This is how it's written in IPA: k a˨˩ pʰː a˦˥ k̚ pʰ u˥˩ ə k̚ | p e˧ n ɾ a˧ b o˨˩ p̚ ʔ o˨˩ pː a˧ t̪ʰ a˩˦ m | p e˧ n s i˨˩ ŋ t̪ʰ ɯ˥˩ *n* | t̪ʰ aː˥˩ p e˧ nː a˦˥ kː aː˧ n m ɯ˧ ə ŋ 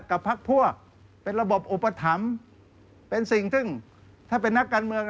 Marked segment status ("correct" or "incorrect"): incorrect